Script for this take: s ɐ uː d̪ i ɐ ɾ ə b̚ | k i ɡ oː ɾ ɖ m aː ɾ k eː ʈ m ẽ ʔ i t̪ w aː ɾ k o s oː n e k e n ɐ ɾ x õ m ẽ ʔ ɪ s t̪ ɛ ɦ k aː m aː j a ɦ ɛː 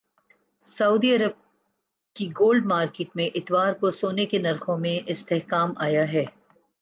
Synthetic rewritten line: s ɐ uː d̪ i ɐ ɾ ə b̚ | k i ɡ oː l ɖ m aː ɾ k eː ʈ m ẽ ʔ ɪ t̪ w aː ɾ k o s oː n e k e n ɐ ɾ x õ m ẽ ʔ ɪ s t̪ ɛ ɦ k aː m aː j a ɦ ɛː